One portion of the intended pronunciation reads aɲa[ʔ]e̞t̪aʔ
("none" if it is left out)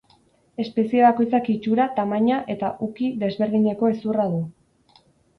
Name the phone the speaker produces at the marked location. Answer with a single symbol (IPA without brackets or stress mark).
ʔ